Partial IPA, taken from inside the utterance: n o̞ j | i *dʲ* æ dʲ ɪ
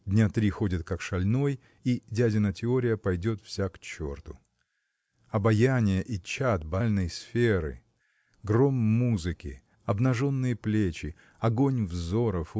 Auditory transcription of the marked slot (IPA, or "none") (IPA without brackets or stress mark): dʲ